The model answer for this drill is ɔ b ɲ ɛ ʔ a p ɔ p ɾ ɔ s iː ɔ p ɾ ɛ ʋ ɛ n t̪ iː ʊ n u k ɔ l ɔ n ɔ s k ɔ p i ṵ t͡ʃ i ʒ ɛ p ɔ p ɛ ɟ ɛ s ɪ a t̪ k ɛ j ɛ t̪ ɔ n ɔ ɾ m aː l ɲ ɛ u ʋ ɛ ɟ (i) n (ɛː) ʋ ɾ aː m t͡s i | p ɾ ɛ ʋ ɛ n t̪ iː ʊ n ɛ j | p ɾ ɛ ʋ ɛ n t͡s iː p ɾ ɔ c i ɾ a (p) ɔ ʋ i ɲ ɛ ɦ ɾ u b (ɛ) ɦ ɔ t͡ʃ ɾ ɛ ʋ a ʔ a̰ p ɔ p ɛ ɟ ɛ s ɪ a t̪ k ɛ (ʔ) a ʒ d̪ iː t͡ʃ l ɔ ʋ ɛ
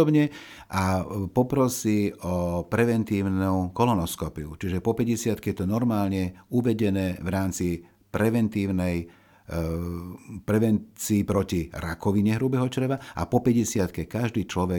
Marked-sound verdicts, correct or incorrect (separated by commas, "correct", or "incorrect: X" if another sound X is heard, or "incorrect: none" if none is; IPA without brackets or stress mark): incorrect: ɛ, correct, incorrect: k, correct, incorrect: k